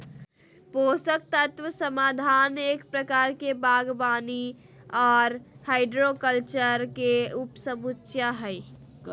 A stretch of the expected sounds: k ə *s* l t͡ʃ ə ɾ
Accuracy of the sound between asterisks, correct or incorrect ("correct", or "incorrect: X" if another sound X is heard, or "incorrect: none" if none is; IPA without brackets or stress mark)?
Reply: incorrect: none